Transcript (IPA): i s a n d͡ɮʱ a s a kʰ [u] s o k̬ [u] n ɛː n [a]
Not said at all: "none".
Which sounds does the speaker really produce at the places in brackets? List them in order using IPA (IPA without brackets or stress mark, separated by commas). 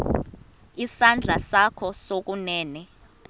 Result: ɔ, u, ɛ